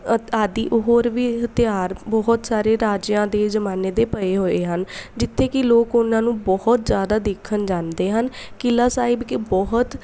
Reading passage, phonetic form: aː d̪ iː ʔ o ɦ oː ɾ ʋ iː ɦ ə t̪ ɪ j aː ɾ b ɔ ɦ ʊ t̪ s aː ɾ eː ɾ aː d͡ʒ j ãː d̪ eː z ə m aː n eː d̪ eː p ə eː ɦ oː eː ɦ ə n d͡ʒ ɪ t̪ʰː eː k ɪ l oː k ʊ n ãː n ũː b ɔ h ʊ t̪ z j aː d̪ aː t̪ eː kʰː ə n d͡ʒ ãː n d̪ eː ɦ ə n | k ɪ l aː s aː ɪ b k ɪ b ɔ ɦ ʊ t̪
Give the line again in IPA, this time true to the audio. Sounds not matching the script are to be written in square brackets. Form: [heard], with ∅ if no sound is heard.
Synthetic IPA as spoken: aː d̪ iː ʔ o ɦ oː ɾ ʋ iː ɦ ə t̪ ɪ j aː ɾ b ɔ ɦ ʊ t̪ s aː ɾ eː ɾ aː d͡ʒ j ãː d̪ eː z ə m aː n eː d̪ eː p ə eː ɦ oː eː ɦ ə n d͡ʒ ɪ t̪ʰː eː k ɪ l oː k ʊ n ãː n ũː b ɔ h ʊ t̪ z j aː d̪ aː [d̪] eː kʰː ə n d͡ʒ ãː n d̪ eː ɦ ə n | k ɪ l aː s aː ɪ b k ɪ b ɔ ɦ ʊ t̪